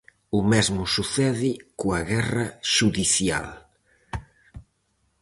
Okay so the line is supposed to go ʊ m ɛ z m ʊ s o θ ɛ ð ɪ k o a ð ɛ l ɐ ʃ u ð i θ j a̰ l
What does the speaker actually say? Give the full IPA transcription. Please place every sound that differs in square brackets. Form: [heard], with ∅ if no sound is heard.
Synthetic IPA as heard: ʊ m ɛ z m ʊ s [u] θ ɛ ð ɪ k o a [ɣ] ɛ [r] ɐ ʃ u ð i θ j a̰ l